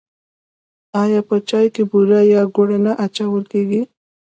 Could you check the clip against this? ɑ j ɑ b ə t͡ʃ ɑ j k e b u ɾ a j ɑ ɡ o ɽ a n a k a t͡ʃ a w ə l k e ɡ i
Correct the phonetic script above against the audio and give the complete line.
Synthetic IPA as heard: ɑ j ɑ p ə t͡ʃ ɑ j k e b u ɾ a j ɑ ɡ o ɽ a n a ʔ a t͡ʃ a w ə l k e ɡ i

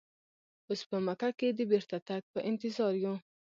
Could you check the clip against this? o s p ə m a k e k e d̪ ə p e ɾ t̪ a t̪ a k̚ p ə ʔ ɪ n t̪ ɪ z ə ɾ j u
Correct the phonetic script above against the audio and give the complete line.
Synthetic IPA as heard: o s p ə m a k a k e d̪ ə b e ɾ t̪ a t̪ a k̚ p ə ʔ ɪ n t̪ ɪ z ɑ ɾ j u

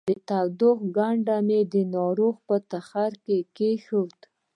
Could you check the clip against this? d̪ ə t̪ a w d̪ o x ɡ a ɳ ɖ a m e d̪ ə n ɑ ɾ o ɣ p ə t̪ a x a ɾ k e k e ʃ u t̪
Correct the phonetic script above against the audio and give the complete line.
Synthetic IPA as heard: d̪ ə t̪ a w d̪ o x ɡ a ɳ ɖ a m e d̪ ə n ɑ ɾ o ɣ p ə t̪ a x a ɾ k e k e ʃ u t̪

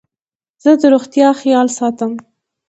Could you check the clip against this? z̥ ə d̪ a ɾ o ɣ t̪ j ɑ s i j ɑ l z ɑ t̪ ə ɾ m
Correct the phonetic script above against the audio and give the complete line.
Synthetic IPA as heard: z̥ ə d̪ ə ɾ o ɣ t̪ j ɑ x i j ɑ l s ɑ t̪ ə m

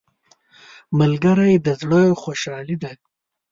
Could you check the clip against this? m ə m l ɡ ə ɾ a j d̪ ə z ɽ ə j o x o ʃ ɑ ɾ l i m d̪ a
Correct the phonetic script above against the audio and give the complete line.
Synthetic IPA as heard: m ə l ɡ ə ɾ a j d̪ ə z ɽ ə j o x o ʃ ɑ l i d̪ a

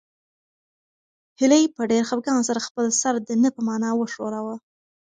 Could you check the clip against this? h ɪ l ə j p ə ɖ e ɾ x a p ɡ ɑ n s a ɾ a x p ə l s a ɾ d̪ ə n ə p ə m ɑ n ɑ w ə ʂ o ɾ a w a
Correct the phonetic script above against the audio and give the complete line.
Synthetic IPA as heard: h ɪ l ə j p ə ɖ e ɾ x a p ɡ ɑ n s a ɾ a x p ə l s a ɾ d̪ ə n ə p ə m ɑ n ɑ w ə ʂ o ɾ a w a

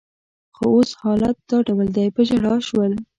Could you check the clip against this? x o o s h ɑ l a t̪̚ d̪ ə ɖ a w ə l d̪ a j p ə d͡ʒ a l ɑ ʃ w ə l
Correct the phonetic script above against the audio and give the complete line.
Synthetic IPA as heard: x o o s h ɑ l a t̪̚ d̪ ɑ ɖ a w ə l d̪ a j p ə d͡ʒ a ɽ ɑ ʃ w ə l

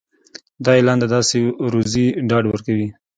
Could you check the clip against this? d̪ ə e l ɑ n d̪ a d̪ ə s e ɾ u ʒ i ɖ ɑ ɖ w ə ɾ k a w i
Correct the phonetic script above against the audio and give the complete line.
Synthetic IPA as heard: d̪ ɑ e l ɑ n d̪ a d̪ ɑ s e ɾ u z i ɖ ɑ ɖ w ə ɾ k a w i

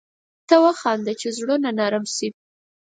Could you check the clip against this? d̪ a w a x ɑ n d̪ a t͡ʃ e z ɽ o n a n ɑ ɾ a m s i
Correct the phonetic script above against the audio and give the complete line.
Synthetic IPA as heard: t̪ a w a x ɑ n d̪ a t͡ʃ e z ɽ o n a n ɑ ɾ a m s i

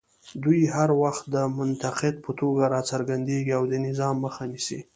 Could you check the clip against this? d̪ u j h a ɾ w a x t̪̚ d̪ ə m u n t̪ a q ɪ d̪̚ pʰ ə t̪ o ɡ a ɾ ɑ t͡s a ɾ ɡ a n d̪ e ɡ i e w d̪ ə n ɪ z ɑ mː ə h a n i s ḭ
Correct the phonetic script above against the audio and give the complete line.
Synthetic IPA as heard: d̪ u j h a ɾ w a x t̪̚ d̪ ə m ʊ n t̪ a q ɪ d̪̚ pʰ ə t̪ o ɡ a ɾ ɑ t͡s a ɾ ɡ a n d̪ e ɡ i a w d̪ ə n ɪ z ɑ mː ə x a n i s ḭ

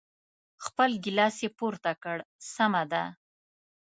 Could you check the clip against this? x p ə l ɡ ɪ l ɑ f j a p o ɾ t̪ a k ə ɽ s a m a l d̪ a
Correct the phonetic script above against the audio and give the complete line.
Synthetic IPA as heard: x p ə l ɡ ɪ l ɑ s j e p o ɾ t̪ a k ə ɽ s a m a d̪ a

